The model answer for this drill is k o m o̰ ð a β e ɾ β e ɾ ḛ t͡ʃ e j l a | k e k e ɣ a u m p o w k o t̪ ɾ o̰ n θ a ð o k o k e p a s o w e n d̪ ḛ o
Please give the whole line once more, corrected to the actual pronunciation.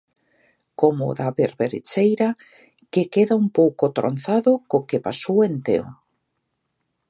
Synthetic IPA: k o m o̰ ð a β e ɾ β e ɾ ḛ t͡ʃ e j ɾ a | k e k e ð a u m p o w k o t̪ ɾ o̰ n θ a ð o k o k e p a s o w e n t̪ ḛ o